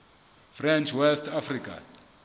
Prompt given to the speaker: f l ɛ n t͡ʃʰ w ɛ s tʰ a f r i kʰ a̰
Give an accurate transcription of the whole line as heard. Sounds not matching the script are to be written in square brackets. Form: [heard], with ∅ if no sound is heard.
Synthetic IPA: f [r] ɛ n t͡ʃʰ w ɛ s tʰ a f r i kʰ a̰